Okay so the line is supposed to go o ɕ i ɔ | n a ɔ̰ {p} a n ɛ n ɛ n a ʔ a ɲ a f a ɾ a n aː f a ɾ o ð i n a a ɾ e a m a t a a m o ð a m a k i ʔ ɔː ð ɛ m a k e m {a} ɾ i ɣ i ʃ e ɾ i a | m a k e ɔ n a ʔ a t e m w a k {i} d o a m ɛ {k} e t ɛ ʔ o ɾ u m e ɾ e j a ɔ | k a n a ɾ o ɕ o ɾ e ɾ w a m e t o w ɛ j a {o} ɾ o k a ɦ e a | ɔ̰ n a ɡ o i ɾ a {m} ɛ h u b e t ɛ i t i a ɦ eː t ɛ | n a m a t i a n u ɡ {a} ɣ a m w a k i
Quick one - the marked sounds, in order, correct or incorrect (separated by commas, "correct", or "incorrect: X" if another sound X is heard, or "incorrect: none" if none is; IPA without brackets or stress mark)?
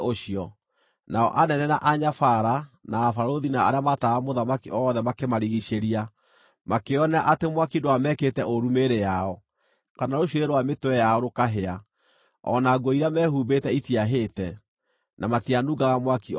incorrect: ʔ, correct, correct, correct, incorrect: ɔ, correct, correct